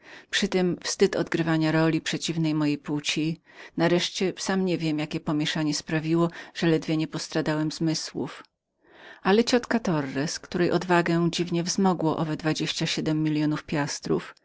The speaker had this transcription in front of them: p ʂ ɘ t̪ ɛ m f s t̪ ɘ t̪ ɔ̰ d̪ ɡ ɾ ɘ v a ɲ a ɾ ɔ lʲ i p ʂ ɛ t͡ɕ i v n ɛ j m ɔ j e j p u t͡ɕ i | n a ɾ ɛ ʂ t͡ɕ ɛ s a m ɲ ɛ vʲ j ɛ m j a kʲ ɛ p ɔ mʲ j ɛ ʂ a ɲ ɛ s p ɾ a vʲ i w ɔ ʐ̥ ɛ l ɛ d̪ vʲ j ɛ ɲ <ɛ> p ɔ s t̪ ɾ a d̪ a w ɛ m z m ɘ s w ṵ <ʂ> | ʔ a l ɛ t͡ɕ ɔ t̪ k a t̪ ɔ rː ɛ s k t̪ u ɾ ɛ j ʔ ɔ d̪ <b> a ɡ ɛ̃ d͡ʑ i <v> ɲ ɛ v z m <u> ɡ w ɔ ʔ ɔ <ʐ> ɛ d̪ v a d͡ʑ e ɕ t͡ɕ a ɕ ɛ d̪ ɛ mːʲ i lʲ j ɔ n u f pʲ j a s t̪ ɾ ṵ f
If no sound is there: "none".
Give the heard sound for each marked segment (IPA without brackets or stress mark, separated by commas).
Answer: ɛ, f, v, v, ɔ, v